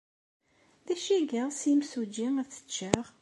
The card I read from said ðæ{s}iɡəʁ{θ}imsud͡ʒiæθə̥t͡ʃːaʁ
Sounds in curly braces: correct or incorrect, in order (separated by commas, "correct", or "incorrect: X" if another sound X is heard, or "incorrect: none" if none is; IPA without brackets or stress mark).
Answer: incorrect: ʃ, incorrect: s